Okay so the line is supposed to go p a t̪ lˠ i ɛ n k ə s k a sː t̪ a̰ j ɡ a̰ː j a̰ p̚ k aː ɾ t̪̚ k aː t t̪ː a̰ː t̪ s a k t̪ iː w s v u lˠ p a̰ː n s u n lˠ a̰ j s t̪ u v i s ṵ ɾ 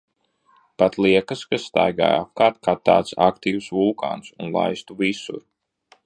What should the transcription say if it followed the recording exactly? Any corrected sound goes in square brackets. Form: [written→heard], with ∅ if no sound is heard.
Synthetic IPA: p a t̪ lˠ i ɛ [n→∅] k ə s k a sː t̪ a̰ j ɡ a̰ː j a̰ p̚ k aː ɾ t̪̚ k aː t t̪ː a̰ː t̪ s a k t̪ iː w s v u lˠ [p→k] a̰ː n s u n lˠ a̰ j s t̪ u v i s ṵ ɾ

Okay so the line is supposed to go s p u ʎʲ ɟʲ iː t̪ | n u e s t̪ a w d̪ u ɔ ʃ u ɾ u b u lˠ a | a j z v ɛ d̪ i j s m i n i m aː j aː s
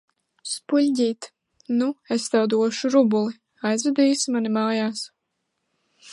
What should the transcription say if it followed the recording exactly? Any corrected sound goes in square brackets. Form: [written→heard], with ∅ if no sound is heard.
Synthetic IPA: s p u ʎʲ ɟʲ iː t̪ | n u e s t̪ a w d̪ u ɔ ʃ u ɾ u b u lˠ [a→i] | a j z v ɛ d̪ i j s m [i→a] n i m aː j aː s

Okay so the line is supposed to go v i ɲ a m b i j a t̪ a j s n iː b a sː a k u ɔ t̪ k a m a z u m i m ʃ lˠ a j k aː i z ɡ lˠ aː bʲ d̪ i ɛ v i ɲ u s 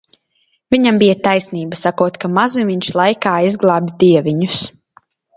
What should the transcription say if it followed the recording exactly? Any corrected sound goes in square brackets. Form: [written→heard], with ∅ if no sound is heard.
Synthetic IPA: v i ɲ a m b i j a t̪ a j s n iː b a [sː→s] a k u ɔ t̪ k a m a z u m i [m→ɲ] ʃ lˠ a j k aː i z ɡ lˠ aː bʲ d̪ i ɛ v i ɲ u s

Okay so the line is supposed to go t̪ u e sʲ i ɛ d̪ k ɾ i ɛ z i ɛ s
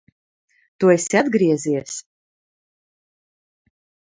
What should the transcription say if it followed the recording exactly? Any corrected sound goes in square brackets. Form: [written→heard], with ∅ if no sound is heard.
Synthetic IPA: t̪ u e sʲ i [ɛ→a] d̪ [k→ɡ] ɾ i ɛ z i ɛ s

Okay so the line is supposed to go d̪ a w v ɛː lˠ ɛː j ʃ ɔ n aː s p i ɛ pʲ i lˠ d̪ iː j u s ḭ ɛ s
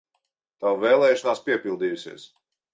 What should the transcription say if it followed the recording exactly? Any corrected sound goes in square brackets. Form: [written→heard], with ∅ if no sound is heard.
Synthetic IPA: [d̪→t̪] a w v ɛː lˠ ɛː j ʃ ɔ n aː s p i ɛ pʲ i lˠ d̪ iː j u s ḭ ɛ s

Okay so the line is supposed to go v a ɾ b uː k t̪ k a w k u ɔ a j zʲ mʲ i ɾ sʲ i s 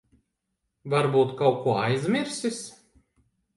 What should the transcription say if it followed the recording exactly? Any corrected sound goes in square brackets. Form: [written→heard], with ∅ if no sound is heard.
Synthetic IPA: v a ɾ b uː [k→∅] t̪ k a w k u ɔ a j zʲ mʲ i ɾ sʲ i s

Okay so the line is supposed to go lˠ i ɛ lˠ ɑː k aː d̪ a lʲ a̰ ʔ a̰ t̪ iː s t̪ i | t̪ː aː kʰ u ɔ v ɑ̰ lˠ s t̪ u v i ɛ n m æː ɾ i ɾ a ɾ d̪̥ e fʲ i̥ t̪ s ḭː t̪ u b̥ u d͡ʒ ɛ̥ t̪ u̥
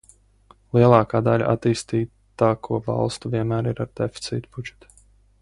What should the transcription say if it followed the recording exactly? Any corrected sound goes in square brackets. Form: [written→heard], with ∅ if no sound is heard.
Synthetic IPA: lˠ i ɛ lˠ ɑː k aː d̪ a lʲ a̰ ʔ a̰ t̪ iː s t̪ [i→iː] | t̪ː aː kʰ u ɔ v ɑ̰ lˠ s t̪ u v i ɛ n m æː ɾ i ɾ a ɾ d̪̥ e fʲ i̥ t̪ s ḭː t̪ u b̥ u d͡ʒ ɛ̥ t̪ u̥

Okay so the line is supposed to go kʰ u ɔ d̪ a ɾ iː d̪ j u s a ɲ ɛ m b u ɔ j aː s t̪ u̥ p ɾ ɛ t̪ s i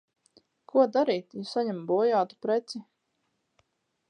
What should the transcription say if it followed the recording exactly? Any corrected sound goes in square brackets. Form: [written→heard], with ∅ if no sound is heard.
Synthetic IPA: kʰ u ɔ d̪ a ɾ iː [d̪→t̪] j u s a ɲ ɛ m b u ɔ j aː [s→∅] t̪ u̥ p ɾ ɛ t̪ s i

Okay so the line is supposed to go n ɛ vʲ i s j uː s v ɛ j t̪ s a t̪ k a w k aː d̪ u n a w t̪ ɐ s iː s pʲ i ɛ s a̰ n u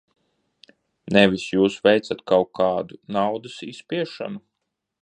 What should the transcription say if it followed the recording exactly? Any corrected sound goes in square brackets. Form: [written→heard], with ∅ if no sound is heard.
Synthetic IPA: n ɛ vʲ i s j uː s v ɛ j t̪ s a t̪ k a w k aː d̪ u n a w [t̪→d̪] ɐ s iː s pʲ i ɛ [s→ʃ] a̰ n u

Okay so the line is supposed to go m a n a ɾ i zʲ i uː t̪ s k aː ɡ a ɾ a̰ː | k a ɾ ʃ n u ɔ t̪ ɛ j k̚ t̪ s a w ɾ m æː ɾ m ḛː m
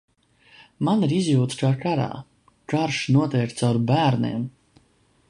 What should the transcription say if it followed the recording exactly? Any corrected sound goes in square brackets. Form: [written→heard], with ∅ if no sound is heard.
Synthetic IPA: m a n [a→i] ɾ i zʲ [i→j] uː t̪ s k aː [ɡ→k] a ɾ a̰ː | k a ɾ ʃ n u ɔ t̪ ɛ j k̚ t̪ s a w ɾ [m→b] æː ɾ [m→n] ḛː m

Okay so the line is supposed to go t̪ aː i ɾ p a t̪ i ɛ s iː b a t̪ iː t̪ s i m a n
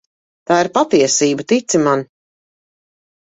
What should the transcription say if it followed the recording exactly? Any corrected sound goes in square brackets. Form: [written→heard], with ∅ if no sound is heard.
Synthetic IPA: t̪ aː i ɾ p a t̪ i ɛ s iː b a t̪ [iː→i] t̪ s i m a n

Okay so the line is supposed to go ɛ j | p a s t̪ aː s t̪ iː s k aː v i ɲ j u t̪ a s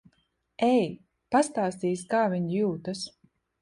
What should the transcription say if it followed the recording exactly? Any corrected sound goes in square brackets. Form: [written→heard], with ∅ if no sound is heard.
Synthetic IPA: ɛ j | p a s t̪ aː s t̪ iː s k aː v i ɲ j [u→uː] t̪ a s

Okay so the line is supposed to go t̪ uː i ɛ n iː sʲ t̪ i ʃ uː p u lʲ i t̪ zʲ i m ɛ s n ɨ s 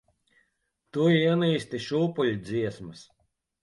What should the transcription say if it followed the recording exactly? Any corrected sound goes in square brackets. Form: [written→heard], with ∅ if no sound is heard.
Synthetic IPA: t̪ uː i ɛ n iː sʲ t̪ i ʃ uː p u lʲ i [t̪→d̪] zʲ i [m→∅] ɛ s [n→m] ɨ s

